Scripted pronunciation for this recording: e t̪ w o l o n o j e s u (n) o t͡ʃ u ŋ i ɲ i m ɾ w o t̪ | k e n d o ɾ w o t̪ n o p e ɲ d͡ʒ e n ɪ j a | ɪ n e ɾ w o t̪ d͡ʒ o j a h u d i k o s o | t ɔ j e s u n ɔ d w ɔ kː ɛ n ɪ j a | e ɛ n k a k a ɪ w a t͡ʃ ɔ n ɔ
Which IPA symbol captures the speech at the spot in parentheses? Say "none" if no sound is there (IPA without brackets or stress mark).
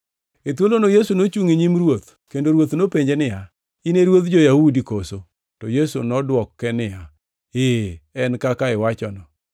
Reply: n